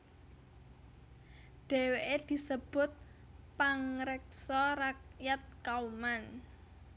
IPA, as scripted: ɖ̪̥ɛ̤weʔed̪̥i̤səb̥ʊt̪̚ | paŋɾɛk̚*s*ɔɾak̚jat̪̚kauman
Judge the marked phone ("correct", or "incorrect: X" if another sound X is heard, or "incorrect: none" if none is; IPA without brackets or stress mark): correct